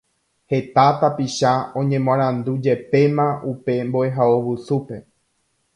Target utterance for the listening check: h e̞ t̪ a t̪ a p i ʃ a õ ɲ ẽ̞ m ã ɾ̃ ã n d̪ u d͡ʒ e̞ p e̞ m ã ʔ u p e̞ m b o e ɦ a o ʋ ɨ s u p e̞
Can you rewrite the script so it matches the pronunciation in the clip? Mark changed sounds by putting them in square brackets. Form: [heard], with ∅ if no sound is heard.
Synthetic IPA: h e̞ t̪ a t̪ a p i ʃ a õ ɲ ẽ̞ m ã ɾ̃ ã n d̪ u d͡ʒ e̞ p e̞ m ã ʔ u p e̞ m b o e ɦ a o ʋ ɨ s u p e̞